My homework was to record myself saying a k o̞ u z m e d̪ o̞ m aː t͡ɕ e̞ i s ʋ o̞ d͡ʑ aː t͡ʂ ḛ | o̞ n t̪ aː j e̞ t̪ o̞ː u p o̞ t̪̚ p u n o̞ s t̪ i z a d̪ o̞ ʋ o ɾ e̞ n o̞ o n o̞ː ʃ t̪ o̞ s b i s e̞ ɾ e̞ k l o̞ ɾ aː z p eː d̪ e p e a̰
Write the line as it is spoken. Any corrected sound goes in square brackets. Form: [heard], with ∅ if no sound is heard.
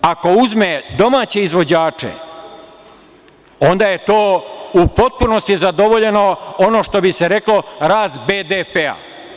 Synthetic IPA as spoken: a k o̞ u z m e d̪ o̞ m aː t͡ɕ e̞ i [z] ʋ o̞ d͡ʑ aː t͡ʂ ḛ | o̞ n [d̪] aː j e̞ t̪ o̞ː u p o̞ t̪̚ p u n o̞ s t̪ i z a d̪ o̞ ʋ o [ʎ] e̞ n o̞ o n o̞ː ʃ t̪ o̞ [∅] b i s e̞ ɾ e̞ k l o̞ ɾ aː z [b] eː d̪ e p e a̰